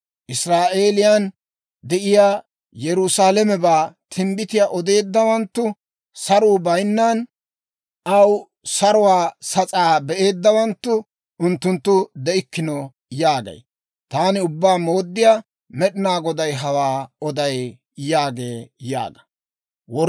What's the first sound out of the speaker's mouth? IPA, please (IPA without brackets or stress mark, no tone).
ʔ